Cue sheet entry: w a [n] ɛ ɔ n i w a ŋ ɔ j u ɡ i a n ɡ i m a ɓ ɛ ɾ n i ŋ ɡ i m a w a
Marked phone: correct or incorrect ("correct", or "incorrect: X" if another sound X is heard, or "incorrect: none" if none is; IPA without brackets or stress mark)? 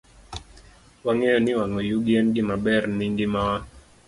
incorrect: ŋ